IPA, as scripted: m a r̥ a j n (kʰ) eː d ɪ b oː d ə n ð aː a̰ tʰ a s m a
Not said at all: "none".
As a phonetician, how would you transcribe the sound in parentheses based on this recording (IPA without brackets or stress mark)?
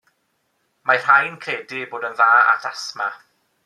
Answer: kʰ